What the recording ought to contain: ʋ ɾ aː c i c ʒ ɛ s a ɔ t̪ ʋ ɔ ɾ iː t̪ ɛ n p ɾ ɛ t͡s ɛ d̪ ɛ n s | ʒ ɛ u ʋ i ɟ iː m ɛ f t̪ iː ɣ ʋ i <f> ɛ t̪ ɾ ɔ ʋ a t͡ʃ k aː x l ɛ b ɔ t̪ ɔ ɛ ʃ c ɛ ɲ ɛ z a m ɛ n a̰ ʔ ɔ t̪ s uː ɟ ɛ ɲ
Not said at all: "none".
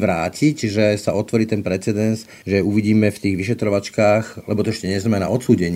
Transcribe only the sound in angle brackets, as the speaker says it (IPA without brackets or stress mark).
ʃ